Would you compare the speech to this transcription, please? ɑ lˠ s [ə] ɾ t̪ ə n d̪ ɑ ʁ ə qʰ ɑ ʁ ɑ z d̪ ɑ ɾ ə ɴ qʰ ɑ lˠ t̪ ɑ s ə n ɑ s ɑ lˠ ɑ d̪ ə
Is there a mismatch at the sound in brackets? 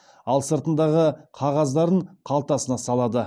no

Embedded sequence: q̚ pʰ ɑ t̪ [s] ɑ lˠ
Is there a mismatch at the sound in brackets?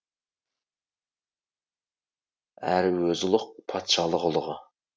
yes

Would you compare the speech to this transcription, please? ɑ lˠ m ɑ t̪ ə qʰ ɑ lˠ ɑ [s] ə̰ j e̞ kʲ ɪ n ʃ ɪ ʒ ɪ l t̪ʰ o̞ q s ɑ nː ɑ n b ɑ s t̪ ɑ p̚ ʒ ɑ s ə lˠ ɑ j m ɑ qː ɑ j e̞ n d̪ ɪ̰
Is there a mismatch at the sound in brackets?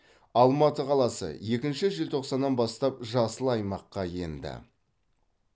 no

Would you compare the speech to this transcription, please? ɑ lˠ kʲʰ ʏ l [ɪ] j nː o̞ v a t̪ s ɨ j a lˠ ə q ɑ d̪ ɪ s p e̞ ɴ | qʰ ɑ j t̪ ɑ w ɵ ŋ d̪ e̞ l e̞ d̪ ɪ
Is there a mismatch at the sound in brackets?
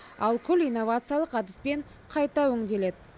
yes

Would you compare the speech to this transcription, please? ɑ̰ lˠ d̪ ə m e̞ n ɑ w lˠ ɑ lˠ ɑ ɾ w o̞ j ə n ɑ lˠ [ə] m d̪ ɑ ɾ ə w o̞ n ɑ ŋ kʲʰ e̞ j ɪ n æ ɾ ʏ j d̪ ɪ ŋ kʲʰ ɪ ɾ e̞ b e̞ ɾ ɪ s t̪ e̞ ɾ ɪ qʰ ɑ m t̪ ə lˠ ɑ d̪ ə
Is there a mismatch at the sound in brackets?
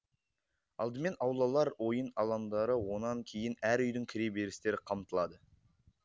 yes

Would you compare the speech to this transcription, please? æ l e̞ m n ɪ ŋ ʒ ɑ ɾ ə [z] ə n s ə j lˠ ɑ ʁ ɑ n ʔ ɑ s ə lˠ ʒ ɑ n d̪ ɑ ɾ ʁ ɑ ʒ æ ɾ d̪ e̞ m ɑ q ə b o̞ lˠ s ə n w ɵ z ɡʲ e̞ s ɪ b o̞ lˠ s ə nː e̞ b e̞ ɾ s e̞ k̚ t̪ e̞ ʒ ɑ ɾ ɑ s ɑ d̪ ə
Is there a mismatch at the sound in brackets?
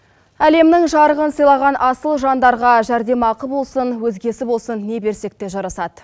yes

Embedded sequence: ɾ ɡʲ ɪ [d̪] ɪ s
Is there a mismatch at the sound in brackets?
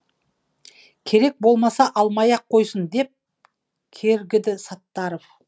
no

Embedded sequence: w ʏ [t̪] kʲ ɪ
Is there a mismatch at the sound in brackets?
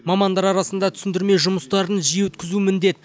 no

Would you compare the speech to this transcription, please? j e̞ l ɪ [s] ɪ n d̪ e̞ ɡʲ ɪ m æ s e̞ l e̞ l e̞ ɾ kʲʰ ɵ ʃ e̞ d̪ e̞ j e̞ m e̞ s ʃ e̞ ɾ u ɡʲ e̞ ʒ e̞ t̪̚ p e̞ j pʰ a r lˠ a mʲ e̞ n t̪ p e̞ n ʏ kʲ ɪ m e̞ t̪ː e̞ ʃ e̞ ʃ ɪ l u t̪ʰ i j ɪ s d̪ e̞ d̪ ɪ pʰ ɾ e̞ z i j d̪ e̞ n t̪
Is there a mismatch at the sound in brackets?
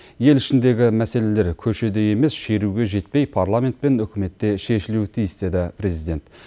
yes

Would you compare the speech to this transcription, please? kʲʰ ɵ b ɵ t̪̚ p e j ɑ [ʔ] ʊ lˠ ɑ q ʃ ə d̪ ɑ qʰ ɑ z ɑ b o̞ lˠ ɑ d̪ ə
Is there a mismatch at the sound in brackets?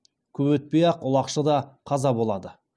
yes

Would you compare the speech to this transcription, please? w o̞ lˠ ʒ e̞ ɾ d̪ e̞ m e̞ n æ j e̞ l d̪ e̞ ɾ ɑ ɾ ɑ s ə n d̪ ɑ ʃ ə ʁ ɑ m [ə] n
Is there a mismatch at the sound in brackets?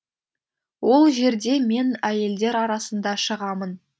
no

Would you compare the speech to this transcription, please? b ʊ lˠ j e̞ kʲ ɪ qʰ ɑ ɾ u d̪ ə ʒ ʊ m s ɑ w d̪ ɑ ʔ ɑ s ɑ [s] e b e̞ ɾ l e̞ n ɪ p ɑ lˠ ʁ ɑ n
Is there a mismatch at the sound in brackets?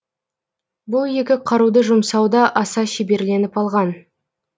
yes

